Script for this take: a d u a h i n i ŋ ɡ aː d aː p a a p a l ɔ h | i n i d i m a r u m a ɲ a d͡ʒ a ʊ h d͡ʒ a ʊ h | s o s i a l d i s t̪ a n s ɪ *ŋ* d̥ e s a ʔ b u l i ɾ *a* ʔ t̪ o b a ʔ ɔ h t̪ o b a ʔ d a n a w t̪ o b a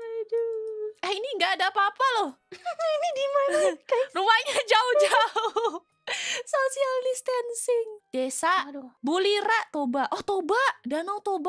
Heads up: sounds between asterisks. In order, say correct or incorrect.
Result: correct, correct

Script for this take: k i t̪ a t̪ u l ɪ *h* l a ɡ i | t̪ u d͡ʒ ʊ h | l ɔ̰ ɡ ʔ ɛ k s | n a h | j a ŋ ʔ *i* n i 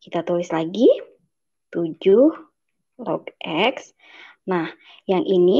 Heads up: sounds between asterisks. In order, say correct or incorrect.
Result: incorrect: s, correct

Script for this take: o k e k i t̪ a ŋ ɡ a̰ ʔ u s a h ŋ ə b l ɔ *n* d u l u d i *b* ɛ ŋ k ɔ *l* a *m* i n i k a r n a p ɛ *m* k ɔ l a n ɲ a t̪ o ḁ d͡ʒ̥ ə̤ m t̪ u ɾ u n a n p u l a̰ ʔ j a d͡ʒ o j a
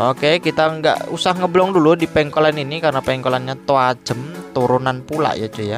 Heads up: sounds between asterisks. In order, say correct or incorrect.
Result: incorrect: ŋ, incorrect: p, correct, incorrect: n, incorrect: ŋ

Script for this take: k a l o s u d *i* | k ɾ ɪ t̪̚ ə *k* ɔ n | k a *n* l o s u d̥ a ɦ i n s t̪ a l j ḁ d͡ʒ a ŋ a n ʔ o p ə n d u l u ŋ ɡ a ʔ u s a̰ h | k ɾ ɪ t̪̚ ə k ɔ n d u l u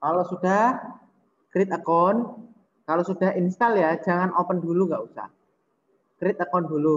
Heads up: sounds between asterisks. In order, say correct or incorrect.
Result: incorrect: a, correct, incorrect: none

